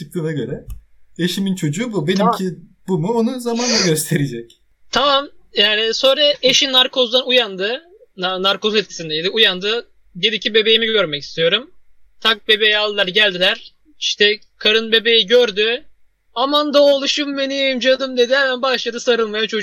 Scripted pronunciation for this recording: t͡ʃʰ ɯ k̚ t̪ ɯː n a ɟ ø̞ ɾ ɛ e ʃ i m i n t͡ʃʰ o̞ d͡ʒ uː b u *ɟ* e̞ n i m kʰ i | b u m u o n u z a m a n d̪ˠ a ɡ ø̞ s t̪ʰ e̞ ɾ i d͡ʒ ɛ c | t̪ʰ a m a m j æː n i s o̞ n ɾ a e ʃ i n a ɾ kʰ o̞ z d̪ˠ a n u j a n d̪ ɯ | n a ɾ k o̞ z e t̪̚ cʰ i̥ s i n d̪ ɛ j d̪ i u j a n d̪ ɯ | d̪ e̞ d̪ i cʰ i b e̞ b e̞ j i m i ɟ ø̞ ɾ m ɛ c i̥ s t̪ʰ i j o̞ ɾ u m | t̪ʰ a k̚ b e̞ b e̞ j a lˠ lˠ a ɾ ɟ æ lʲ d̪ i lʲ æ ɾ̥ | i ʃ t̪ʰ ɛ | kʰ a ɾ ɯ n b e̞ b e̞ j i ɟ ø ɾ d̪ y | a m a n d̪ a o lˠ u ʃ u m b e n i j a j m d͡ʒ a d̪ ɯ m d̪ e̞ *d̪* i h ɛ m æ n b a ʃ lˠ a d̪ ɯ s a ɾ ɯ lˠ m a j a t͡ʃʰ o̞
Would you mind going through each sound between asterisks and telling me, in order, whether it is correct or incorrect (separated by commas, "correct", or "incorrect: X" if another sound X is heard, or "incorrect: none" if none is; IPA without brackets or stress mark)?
incorrect: b, correct